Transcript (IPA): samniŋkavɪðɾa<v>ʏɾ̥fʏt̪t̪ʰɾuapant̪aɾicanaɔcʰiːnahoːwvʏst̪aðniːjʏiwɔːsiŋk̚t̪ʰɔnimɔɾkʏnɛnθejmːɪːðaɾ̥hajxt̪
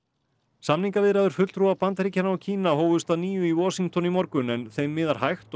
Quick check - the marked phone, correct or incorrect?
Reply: incorrect: ð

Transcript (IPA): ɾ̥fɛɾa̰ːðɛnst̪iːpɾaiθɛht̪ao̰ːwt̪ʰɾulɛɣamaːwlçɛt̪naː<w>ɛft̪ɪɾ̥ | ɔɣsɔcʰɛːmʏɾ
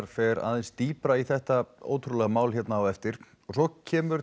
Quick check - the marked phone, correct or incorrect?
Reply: correct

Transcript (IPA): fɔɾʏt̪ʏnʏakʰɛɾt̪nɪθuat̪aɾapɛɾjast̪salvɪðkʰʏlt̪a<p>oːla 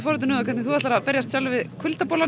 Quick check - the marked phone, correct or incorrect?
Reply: correct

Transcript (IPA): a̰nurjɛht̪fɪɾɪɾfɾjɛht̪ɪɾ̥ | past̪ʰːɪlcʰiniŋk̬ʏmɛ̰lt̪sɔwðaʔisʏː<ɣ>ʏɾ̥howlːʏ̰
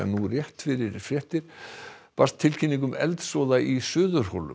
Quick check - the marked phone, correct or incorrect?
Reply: incorrect: ð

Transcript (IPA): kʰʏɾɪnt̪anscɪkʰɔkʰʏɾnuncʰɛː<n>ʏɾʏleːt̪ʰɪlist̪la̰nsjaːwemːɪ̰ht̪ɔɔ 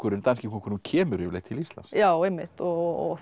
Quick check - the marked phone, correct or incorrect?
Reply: incorrect: m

